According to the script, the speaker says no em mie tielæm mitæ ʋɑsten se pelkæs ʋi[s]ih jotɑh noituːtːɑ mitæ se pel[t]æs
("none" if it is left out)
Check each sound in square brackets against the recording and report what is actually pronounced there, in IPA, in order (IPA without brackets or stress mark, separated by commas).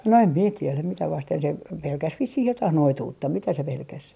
sː, k